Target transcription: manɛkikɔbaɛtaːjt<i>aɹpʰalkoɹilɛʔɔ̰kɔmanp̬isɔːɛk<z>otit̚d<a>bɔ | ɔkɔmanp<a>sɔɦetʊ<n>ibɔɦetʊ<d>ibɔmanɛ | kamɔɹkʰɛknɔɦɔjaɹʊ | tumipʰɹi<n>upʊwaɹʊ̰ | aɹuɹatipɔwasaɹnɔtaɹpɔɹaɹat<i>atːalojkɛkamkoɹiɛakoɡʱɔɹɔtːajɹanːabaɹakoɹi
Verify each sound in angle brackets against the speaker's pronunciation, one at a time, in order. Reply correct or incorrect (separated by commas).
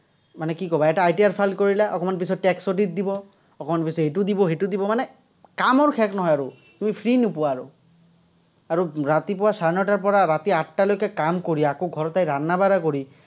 correct, incorrect, incorrect, incorrect, incorrect, correct, correct, correct